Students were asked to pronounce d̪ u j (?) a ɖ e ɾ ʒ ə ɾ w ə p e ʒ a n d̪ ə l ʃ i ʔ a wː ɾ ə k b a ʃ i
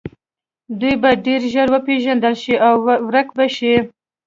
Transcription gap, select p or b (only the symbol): b